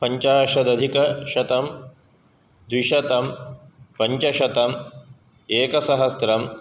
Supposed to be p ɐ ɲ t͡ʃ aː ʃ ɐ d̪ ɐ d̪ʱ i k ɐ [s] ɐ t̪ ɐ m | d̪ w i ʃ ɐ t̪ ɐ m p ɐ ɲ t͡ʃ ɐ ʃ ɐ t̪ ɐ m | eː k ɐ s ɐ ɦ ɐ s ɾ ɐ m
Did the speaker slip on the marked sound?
yes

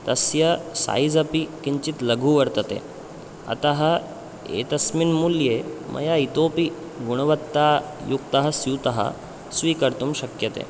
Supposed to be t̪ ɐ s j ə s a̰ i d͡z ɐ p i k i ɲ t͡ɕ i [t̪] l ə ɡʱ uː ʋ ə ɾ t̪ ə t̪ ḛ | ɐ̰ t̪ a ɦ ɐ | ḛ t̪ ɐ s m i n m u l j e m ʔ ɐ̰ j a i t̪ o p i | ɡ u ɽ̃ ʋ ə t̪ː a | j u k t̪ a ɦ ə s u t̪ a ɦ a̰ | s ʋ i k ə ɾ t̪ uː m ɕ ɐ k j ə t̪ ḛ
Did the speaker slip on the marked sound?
no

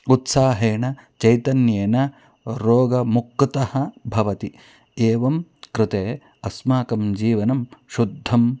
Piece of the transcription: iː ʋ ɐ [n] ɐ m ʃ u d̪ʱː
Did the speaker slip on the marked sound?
no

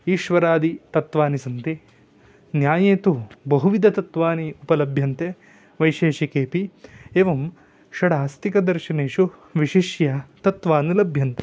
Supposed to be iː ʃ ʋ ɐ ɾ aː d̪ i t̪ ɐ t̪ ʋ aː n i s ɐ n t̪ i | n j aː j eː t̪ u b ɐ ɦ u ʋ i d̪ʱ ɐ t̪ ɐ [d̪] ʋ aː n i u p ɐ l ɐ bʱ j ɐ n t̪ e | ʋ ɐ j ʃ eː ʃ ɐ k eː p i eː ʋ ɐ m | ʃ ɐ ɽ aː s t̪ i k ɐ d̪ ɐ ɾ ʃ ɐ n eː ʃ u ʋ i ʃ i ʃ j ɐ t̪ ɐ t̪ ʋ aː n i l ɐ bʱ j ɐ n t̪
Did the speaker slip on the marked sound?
yes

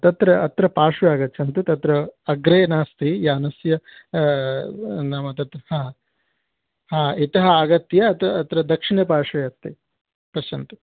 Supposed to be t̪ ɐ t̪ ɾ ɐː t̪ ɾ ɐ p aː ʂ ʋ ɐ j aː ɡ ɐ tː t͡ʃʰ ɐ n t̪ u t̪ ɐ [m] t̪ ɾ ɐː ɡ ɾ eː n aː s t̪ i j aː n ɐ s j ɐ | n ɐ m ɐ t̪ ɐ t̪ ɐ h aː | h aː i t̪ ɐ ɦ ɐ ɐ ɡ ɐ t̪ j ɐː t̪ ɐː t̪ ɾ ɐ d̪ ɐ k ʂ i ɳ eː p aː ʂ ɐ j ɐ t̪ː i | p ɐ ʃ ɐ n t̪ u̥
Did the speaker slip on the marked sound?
yes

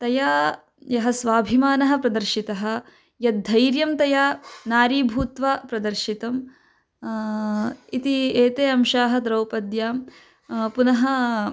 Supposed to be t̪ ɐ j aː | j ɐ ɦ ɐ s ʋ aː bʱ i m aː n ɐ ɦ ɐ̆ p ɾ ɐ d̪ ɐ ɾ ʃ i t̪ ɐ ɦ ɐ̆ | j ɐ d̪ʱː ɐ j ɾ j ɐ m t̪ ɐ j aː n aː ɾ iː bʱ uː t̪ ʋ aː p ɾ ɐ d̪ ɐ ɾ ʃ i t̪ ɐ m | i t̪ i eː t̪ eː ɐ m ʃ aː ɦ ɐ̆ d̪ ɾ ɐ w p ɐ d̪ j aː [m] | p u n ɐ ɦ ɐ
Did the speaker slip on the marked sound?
no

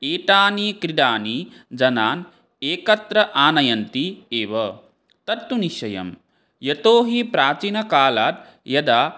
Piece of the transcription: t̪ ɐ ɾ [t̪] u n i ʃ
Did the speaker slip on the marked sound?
no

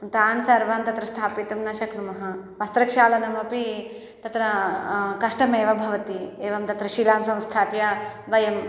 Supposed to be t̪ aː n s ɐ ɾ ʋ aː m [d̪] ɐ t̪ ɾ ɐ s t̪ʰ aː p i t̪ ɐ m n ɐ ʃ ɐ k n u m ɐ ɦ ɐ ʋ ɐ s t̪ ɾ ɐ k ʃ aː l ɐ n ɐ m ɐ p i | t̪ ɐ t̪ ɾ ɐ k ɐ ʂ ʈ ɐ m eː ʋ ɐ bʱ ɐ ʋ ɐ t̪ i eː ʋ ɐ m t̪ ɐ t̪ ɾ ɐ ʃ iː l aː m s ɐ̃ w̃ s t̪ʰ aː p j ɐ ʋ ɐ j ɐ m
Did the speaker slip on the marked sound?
yes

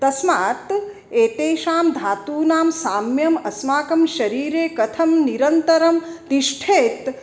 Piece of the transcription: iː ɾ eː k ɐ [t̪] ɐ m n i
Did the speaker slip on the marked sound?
yes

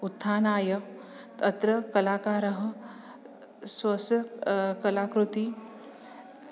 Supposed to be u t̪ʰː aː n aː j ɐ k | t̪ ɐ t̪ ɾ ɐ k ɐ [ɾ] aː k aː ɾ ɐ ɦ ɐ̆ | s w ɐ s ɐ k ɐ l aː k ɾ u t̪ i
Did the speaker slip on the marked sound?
yes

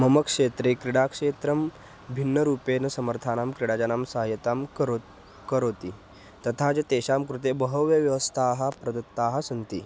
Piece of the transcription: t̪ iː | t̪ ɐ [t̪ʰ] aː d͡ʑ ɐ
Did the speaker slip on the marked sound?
no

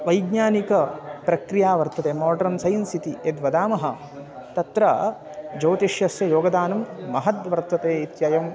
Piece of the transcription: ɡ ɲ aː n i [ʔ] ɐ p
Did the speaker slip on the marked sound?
yes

